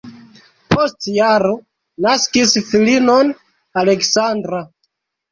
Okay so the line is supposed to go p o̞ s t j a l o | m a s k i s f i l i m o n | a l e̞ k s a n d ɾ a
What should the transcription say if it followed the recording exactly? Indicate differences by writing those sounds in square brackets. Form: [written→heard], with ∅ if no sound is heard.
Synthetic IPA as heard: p o̞ s t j a [l→ɾ] o | [m→n] a s k i s f i l i [m→n] o n | a l e̞ k s a n d ɾ a